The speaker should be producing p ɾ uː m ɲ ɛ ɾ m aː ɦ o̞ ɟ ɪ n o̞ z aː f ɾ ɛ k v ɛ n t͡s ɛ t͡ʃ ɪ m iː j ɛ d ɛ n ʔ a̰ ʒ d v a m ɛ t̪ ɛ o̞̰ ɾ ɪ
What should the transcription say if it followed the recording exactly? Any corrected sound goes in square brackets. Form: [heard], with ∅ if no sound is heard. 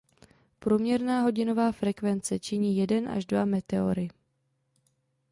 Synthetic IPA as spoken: p ɾ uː m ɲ ɛ ɾ [n] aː ɦ o̞ ɟ ɪ n o̞ [v] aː f ɾ ɛ k v ɛ n t͡s ɛ t͡ʃ ɪ [ɲ] iː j ɛ d ɛ n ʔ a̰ ʒ d v a m ɛ t̪ ɛ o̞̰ ɾ ɪ